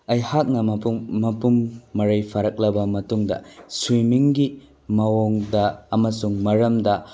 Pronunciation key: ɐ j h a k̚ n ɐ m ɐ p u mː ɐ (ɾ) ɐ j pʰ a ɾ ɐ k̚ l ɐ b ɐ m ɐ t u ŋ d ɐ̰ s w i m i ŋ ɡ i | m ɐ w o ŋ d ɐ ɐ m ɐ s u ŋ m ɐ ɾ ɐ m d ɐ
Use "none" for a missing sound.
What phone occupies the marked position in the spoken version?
ɾ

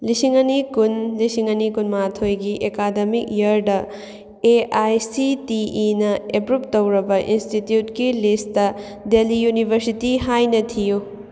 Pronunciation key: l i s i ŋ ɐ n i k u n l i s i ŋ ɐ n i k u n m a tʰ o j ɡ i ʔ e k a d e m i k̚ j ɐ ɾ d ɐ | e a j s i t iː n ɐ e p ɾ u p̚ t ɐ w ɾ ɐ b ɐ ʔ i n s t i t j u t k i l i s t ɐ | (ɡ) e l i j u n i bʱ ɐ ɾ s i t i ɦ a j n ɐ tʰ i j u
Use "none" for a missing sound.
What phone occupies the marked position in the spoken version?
d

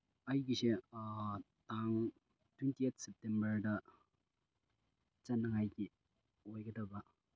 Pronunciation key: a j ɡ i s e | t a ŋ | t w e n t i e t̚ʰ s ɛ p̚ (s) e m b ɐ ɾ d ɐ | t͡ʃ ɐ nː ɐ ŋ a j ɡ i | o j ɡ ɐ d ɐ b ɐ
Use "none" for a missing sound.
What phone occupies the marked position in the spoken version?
t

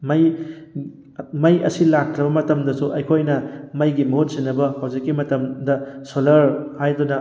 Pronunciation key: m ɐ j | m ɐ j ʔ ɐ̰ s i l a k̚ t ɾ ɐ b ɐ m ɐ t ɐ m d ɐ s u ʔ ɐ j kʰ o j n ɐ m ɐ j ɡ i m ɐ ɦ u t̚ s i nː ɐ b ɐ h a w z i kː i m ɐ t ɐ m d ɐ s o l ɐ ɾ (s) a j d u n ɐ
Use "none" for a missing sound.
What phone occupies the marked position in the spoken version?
h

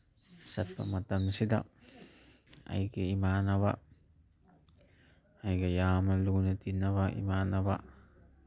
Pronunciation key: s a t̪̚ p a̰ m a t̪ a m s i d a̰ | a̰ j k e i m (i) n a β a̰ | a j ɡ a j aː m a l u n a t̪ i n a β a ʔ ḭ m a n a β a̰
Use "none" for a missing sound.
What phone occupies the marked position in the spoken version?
a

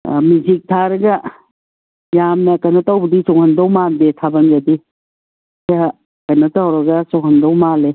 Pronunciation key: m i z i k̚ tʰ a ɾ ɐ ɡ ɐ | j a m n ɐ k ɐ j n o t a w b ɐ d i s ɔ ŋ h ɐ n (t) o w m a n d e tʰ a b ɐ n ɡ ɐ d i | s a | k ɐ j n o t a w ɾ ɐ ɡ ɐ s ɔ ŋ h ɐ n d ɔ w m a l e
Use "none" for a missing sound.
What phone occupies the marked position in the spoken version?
d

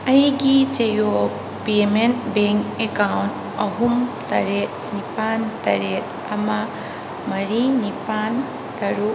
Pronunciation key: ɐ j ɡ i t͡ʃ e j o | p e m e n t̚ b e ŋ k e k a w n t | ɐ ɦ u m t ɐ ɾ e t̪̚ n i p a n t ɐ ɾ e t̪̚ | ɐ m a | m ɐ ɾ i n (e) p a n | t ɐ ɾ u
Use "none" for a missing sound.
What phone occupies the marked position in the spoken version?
i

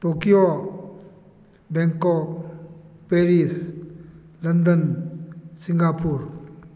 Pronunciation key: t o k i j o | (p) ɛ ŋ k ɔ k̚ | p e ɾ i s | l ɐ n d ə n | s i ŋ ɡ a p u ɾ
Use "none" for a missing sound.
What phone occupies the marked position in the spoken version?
b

